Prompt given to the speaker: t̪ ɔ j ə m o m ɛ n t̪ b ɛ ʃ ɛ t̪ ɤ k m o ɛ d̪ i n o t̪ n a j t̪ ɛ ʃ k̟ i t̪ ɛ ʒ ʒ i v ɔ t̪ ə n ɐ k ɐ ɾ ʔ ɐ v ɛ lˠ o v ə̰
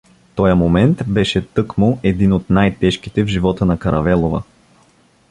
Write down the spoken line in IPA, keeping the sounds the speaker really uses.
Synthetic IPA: t̪ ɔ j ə m o m ɛ n t̪ b ɛ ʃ ɛ t̪ ɤ k m o ɛ d̪ i n o t̪ n a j t̪ ɛ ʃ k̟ i t̪ ɛ v ʒ i v ɔ t̪ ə n ɐ k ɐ ɾ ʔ ɐ v ɛ lˠ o v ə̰